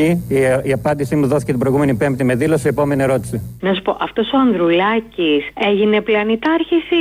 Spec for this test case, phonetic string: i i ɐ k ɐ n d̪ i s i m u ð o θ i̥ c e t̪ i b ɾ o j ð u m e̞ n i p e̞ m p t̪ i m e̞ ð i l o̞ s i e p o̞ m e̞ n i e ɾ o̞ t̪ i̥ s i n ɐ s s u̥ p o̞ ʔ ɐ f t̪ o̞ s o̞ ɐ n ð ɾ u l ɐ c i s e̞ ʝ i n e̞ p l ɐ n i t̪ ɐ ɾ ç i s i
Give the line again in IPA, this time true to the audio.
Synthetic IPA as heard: i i ɐ p ɐ n d̪ i s i m u ð o θ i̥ c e t̪ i b ɾ o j ɣ u m e̞ n i p e̞ m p t̪ i m e̞ ð i l o̞ s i e p o̞ m e̞ n i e ɾ o̞ t̪ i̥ s i n ɐ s s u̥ p o̞ ʔ ɐ f t̪ o̞ s o̞ ɐ n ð ɾ u l ɐ c i s e̞ ʝ i n e̞ p l ɐ n i t̪ ɐ ɾ ç i s i